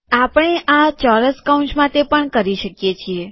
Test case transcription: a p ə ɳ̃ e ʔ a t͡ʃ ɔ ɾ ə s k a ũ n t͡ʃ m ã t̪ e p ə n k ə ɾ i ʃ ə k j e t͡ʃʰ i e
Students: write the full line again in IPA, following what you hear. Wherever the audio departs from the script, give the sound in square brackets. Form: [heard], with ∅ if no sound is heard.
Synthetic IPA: a p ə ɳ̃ e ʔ a t͡ʃ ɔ ɾ ə s k a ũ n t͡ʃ m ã t̪ e p ə [ɳ] k ə ɾ i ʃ ə k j e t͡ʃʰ i e